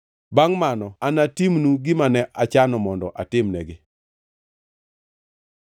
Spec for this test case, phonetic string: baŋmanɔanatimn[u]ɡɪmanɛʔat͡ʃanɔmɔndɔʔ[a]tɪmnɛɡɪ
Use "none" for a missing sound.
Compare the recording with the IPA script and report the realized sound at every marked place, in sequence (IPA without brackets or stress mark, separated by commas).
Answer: u, a